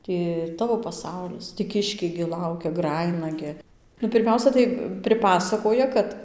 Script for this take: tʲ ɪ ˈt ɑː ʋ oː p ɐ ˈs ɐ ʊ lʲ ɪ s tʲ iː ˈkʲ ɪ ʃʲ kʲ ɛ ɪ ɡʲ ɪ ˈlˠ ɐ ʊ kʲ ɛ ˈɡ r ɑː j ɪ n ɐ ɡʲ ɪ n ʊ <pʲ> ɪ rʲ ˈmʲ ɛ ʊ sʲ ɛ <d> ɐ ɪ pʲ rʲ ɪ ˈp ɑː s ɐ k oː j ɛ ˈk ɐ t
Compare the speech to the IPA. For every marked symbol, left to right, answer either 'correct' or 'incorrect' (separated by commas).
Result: correct, incorrect